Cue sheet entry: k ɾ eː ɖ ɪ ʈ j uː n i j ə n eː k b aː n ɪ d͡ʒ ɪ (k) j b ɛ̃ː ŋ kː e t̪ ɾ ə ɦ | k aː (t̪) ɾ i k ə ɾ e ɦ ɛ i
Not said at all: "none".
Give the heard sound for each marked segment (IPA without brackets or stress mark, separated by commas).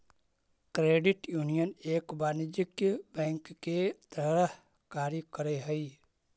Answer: k, none